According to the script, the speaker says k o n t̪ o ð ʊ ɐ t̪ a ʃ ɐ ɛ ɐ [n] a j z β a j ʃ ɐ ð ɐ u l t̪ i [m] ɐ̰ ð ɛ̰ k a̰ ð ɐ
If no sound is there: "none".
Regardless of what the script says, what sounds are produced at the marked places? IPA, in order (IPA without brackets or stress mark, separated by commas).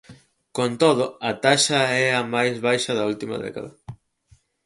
m, m